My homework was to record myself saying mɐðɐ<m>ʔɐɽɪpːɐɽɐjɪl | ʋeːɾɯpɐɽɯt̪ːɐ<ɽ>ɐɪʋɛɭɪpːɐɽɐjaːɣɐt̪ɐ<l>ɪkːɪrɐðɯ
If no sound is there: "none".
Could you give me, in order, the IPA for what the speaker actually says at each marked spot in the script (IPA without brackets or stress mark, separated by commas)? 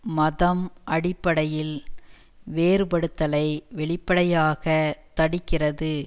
m, l, ɽ